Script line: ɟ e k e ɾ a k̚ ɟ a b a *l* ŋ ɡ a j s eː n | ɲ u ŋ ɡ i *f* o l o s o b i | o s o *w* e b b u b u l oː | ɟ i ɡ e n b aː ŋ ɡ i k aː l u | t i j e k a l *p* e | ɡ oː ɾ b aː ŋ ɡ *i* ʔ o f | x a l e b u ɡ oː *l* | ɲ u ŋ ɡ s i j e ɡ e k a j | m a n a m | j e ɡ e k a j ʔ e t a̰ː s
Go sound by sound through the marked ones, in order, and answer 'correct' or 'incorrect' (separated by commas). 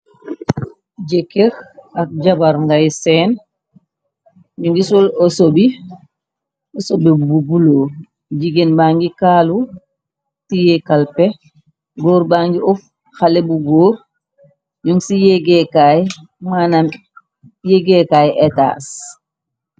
incorrect, incorrect, incorrect, correct, correct, incorrect